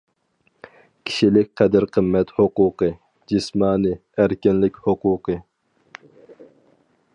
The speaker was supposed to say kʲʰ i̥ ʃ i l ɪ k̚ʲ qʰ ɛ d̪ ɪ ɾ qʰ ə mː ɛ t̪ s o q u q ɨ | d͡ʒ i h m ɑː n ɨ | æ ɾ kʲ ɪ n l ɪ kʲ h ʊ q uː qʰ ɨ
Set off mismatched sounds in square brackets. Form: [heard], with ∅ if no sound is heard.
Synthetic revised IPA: kʲʰ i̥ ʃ i l ɪ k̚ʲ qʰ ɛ d̪ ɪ ɾ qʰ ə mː ɛ t̪ [h] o q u q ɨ | d͡ʒ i [s] m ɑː n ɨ | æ ɾ kʲ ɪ n l ɪ kʲ h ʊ q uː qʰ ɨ